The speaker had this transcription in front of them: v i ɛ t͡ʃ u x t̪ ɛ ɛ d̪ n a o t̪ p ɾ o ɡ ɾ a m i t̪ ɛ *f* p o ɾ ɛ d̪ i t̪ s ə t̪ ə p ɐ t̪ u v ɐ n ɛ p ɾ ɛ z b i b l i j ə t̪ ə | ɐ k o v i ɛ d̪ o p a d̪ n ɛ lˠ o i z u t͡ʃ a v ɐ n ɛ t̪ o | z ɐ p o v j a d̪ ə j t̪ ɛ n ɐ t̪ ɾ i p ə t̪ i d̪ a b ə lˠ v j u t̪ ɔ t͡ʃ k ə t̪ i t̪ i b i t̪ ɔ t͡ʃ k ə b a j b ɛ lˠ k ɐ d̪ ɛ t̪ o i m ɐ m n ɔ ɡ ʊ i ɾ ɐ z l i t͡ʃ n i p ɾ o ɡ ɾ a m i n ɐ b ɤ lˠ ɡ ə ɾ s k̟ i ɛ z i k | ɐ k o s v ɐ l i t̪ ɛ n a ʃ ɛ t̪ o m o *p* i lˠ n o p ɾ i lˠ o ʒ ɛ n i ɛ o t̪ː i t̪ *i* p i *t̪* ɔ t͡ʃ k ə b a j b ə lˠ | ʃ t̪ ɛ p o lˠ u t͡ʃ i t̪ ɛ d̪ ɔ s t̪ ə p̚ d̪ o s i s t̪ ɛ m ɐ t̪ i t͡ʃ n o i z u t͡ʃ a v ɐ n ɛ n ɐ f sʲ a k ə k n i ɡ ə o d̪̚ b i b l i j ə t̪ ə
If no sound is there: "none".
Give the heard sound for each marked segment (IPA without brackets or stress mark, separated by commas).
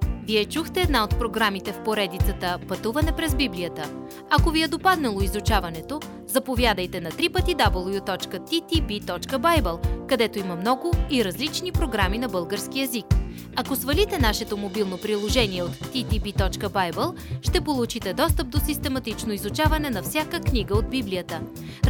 f, b, i, t̪